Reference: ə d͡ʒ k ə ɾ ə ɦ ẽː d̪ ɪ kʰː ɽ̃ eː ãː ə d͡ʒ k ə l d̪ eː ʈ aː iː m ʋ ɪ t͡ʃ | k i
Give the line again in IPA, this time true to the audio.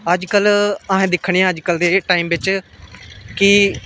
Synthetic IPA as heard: ə d͡ʒ k ə l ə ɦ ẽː d̪ ɪ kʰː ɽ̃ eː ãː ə d͡ʒ k ə l d̪ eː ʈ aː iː m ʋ ɪ t͡ʃ | k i